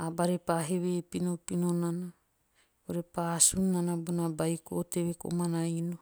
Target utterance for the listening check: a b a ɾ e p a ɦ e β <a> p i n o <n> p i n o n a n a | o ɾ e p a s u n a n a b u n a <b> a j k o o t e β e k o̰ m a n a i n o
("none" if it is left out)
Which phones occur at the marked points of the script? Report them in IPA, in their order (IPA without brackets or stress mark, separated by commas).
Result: e, none, b